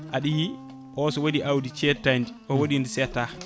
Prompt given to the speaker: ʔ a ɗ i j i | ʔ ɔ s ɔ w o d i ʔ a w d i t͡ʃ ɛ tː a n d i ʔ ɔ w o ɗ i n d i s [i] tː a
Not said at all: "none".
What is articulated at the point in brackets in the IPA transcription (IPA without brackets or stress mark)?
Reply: ɛ